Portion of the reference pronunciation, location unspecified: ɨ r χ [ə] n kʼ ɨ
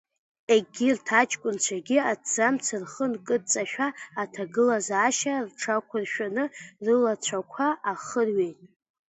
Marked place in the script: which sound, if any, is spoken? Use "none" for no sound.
ə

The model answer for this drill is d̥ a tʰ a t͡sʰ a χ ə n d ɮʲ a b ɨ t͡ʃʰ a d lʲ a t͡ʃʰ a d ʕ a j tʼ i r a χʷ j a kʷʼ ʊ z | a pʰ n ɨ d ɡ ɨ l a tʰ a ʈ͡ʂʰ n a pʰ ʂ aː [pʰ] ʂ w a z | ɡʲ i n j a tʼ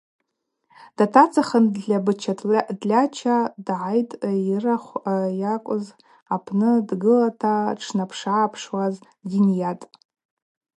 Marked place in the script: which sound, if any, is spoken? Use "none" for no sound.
pʰ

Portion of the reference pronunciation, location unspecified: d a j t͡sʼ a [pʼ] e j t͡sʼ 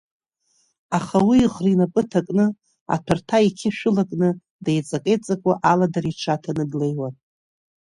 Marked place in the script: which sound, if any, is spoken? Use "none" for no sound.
kʼ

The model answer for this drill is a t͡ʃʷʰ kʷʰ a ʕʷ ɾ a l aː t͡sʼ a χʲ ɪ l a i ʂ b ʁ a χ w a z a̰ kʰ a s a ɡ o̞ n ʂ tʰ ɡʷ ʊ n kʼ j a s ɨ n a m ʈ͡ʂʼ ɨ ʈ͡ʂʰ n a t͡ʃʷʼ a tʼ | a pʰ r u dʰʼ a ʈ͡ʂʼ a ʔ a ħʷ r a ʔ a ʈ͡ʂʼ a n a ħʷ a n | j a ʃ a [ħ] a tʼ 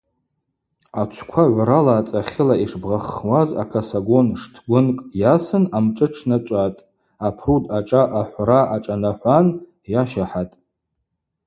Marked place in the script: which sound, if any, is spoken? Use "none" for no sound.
ħ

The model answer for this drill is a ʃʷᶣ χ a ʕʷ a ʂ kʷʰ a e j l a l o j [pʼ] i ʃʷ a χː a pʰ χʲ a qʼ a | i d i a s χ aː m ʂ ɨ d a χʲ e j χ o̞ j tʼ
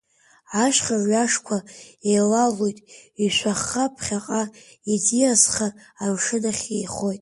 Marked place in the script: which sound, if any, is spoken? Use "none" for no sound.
tʼ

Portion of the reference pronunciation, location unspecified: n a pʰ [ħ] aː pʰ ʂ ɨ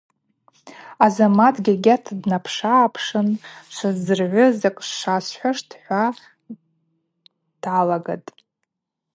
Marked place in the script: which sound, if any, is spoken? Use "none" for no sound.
ʂ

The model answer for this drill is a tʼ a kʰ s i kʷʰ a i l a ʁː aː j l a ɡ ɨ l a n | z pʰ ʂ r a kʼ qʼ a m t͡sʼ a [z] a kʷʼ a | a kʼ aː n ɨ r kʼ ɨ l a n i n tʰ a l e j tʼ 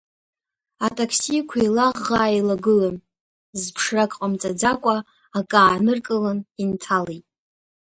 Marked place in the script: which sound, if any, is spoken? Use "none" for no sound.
d͡z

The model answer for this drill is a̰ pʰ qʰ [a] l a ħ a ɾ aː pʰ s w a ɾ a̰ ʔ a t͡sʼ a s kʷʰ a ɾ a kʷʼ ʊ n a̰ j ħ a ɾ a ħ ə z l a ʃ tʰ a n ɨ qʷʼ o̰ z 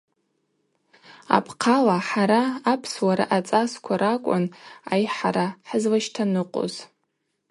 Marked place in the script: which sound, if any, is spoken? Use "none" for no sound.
a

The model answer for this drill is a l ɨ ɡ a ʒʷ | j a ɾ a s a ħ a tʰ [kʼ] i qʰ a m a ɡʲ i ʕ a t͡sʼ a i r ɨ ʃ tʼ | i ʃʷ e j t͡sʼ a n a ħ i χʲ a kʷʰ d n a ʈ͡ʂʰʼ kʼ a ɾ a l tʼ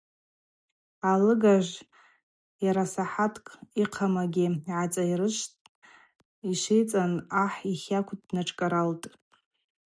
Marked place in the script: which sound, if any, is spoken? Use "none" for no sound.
kʼ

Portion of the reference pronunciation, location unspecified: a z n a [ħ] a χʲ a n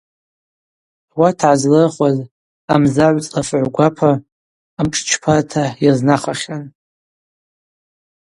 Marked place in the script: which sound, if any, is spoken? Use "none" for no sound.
χ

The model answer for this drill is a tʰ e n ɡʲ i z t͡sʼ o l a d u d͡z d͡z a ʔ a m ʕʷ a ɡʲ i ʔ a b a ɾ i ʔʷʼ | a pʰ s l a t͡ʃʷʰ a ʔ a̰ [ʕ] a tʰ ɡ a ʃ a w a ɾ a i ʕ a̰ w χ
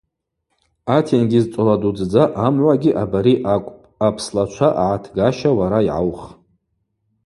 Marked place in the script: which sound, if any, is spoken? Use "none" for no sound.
ʕ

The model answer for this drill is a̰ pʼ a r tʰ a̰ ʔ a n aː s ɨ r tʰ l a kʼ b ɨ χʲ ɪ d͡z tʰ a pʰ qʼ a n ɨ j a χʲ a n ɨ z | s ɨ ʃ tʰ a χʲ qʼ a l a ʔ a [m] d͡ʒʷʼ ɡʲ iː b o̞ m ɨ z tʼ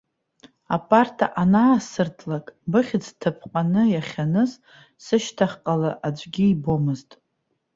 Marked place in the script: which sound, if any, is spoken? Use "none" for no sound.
none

